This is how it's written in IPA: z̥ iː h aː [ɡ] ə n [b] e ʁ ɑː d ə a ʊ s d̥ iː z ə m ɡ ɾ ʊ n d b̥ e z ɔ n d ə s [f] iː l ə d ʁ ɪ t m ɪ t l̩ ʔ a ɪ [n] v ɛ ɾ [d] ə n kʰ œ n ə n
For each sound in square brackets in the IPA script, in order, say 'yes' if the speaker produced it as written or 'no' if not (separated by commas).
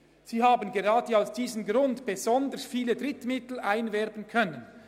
no, no, yes, yes, no